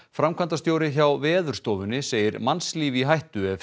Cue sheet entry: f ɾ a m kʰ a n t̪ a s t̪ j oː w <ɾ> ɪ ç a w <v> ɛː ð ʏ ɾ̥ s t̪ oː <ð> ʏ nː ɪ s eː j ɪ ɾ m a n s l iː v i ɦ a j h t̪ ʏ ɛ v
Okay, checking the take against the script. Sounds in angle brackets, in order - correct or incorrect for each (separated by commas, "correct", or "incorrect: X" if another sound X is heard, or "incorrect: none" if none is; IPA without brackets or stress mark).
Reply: correct, correct, incorrect: v